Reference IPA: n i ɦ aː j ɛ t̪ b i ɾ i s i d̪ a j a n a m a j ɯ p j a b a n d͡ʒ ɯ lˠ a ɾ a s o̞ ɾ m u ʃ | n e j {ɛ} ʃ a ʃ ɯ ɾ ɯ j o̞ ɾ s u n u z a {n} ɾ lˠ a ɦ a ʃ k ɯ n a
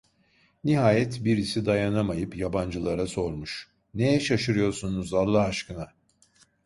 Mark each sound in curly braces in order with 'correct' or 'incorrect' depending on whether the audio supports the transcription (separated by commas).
correct, incorrect